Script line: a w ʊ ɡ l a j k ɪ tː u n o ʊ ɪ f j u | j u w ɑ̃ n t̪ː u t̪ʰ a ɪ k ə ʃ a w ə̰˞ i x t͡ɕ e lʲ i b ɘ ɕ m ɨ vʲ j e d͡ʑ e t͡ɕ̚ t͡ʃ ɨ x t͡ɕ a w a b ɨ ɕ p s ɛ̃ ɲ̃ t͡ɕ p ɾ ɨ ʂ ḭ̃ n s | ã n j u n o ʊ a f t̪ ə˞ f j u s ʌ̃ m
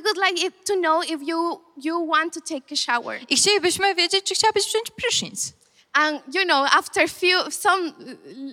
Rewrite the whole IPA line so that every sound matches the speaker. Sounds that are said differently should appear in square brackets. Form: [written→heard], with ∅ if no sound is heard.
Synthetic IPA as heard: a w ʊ [ɡ→d] l a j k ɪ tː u n o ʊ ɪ f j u | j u w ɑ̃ n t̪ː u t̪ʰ [a→e] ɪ k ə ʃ a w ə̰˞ i x t͡ɕ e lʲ i b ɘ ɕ m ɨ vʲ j e d͡ʑ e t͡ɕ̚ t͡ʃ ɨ x t͡ɕ a w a b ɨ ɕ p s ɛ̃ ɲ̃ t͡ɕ p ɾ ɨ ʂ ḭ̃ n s | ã n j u n o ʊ a f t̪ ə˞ f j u s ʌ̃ m